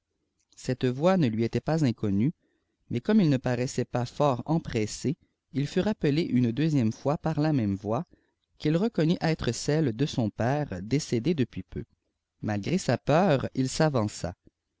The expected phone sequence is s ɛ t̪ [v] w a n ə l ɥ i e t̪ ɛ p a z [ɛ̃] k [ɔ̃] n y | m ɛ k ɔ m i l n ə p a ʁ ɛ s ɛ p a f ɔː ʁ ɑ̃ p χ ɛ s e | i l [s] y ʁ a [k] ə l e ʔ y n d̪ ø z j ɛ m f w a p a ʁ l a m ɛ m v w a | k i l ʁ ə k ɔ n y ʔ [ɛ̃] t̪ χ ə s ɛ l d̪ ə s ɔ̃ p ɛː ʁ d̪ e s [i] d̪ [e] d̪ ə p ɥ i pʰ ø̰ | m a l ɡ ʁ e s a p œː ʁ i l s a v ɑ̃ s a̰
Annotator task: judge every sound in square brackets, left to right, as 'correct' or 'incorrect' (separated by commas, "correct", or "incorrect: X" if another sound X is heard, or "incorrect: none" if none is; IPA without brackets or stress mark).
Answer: correct, correct, incorrect: ɔ, incorrect: f, incorrect: p, incorrect: ɛ, incorrect: e, correct